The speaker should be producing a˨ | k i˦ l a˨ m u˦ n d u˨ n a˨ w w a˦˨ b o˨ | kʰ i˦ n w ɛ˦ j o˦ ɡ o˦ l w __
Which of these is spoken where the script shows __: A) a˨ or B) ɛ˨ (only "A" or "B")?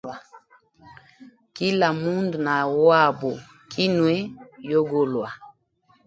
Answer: A